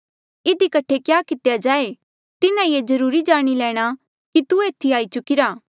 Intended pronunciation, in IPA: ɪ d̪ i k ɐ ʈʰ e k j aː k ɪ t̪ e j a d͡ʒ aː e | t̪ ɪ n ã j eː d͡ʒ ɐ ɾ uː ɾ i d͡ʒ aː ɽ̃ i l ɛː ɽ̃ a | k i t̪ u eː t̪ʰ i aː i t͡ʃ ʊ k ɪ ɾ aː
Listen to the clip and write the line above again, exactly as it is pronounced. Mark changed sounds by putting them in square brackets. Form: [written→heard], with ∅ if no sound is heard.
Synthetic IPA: ɪ d̪ i k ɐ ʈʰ e k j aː k ɪ t̪ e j a d͡ʒ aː e | t̪ ɪ n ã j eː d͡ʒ ɐ ɾ uː ɾ i d͡ʒ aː ɽ̃ i l ɛː ɽ̃ a | k i t̪ u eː t̪ʰ i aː i t͡ʃ ʊ k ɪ ɾ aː